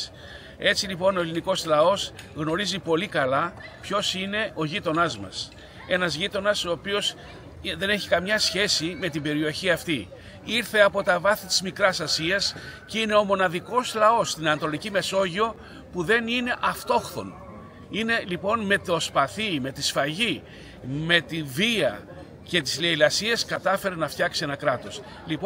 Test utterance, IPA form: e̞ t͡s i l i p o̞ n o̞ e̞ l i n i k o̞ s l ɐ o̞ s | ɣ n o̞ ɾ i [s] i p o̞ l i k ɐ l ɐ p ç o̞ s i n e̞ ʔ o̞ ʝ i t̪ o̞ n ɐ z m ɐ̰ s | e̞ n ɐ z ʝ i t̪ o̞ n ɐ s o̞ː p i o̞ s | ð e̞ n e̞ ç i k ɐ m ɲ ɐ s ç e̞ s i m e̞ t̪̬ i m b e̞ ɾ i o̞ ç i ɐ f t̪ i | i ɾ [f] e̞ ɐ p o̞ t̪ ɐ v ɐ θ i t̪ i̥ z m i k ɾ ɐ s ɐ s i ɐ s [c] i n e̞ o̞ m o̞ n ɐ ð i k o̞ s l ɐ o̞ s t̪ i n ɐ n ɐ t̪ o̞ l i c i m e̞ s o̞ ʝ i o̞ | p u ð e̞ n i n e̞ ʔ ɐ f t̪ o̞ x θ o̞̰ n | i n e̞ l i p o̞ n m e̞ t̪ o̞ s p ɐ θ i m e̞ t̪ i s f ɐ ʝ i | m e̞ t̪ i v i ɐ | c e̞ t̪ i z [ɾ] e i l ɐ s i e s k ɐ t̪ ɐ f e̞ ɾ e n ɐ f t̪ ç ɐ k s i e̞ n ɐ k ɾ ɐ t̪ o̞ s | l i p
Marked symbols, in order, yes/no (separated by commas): no, no, yes, no